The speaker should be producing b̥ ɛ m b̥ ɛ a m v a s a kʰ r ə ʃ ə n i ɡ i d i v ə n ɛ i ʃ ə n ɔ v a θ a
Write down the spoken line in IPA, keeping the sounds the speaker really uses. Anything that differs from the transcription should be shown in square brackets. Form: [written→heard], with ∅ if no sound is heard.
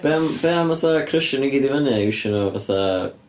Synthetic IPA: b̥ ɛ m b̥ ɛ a m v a [s→θ] a kʰ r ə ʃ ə n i ɡ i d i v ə n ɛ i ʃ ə n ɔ v a θ a